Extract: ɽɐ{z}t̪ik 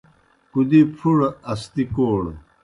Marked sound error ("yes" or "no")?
yes